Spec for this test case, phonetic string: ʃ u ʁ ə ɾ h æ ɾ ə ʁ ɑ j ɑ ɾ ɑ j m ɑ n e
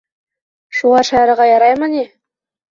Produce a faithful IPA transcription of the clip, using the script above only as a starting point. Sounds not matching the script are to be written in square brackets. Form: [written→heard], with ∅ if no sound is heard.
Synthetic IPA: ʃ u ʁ [ə→ɑ] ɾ [h→ʃ] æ ɾ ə ʁ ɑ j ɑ ɾ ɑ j m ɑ n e

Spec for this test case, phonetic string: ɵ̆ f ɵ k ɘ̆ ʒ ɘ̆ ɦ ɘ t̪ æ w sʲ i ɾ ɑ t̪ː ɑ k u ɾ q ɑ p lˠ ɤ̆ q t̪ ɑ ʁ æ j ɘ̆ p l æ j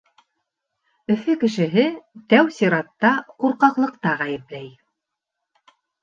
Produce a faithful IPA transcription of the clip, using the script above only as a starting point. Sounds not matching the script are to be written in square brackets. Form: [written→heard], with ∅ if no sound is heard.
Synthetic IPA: ɵ̆ f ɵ k ɘ̆ [ʒ→ʃ] ɘ̆ ɦ ɘ t̪ æ w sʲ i ɾ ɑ t̪ː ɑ [k→q] u ɾ q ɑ [p→q] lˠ ɤ̆ q t̪ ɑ ʁ æ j ɘ̆ p l æ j

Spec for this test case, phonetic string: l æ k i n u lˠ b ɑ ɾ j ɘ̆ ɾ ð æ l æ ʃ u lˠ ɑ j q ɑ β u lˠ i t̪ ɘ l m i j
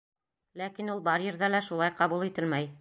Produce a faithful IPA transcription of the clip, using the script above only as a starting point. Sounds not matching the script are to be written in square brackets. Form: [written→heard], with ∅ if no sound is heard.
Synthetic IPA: l æ k i n u lˠ b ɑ ɾ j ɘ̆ ɾ ð æ l æ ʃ u lˠ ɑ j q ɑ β u lˠ i t̪ ɘ l m [i→æ] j

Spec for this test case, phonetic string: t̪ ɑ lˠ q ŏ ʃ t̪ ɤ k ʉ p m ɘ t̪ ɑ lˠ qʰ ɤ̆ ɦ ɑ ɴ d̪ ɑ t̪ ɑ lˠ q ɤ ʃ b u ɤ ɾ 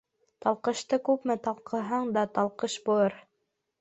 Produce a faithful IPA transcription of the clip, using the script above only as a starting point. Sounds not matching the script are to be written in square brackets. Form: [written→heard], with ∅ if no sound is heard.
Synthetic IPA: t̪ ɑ lˠ q [ŏ→ɤ̆] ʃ t̪ ɤ k ʉ p m ɘ t̪ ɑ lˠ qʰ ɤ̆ ɦ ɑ ɴ d̪ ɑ t̪ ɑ lˠ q ɤ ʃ b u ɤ ɾ

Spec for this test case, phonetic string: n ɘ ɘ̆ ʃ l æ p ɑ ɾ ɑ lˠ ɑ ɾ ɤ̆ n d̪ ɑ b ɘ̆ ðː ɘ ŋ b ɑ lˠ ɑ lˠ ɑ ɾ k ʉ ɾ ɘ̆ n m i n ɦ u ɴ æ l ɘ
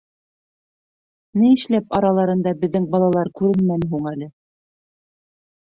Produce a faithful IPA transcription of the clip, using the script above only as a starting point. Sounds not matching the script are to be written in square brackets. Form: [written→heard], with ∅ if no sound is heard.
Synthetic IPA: n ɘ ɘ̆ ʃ l æ p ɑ ɾ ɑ lˠ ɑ ɾ ɤ̆ n d̪ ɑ b ɘ̆ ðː ɘ ŋ b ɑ lˠ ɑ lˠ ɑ ɾ k ʉ ɾ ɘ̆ n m [i→æ] n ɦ u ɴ æ l ɘ

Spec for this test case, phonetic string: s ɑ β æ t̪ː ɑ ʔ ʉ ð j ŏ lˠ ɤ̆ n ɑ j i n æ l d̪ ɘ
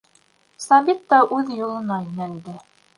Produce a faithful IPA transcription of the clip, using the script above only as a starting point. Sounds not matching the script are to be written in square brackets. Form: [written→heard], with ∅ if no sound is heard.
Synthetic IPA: s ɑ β [æ→i] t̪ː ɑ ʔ ʉ ð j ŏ lˠ ɤ̆ n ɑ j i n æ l d̪ ɘ

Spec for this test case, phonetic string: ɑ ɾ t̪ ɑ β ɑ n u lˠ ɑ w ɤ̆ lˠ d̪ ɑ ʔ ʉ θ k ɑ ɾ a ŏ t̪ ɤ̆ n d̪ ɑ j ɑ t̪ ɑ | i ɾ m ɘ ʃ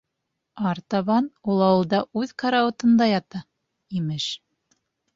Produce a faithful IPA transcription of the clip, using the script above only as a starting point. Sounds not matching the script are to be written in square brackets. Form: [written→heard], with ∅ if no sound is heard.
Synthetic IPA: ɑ ɾ t̪ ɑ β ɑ n u lˠ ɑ w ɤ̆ lˠ d̪ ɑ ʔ ʉ [θ→ð] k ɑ ɾ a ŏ t̪ ɤ̆ n d̪ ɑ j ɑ t̪ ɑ | i [ɾ→∅] m ɘ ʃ

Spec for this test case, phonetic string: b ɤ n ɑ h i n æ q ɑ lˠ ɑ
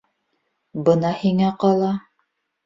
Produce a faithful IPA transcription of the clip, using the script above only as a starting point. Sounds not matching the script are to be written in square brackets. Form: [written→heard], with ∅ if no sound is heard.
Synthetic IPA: b ɤ n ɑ h i [n→ŋ] æ q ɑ lˠ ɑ

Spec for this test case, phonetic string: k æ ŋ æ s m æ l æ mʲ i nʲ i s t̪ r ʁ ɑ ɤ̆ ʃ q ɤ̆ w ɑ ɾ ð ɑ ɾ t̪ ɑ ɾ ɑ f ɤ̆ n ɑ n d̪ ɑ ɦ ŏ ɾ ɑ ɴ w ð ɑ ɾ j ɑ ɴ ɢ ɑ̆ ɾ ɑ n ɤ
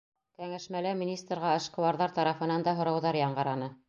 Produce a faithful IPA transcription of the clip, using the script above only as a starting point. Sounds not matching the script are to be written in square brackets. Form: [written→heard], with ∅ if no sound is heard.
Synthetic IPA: k æ ŋ æ [s→ʃ] m æ l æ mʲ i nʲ i s t̪ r ʁ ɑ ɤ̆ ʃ q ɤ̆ w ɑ ɾ ð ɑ ɾ t̪ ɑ ɾ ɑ f ɤ̆ n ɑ n d̪ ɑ ɦ ŏ ɾ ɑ [ɴ→∅] w ð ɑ ɾ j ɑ ɴ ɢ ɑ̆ ɾ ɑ n ɤ

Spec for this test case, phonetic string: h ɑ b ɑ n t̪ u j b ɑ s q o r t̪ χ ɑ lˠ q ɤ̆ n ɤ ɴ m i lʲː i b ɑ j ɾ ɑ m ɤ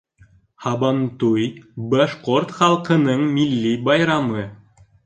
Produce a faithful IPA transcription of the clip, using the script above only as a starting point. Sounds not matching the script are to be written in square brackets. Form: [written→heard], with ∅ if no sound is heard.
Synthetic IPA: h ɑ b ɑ n t̪ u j b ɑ [s→ʃ] q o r t̪ χ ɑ lˠ q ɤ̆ n ɤ ɴ m i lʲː i b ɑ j ɾ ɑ m ɤ

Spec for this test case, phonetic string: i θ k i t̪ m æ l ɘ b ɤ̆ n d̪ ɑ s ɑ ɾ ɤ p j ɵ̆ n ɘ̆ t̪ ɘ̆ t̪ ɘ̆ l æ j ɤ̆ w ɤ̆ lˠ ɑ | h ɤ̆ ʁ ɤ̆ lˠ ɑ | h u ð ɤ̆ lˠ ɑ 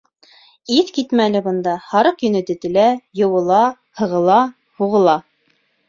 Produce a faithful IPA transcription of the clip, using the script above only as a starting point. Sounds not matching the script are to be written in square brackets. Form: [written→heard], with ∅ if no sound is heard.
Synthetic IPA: i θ k i t̪ m æ l ɘ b ɤ̆ n d̪ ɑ [s→h] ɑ ɾ ɤ [p→q] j ɵ̆ n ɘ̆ t̪ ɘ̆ t̪ ɘ̆ l æ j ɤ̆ w ɤ̆ lˠ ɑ | h ɤ̆ ʁ ɤ̆ lˠ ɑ | h u [ð→ʁ] ɤ̆ lˠ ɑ

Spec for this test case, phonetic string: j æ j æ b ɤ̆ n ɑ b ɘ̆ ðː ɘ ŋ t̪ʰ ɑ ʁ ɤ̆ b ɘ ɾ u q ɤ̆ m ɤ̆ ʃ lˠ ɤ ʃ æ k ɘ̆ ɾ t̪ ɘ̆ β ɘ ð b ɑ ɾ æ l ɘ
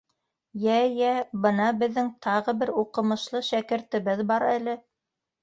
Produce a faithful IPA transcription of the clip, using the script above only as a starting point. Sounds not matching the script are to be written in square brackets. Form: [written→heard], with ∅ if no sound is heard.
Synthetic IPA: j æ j æ b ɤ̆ n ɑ b ɘ̆ ðː ɘ ŋ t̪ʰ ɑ ʁ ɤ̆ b ɘ ɾ u q ɤ̆ m ɤ̆ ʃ lˠ ɤ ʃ æ k ɘ̆ ɾ t̪ ɘ̆ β ɘ ð b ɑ ɾ æ l ɘ

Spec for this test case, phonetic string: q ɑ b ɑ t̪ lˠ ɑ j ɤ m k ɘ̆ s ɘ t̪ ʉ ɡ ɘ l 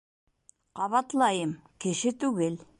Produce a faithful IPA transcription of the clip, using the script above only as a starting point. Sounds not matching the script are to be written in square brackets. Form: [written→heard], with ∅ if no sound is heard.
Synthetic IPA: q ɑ [b→β] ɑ t̪ lˠ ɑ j ɤ m k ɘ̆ [s→ʃ] ɘ t̪ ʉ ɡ ɘ l

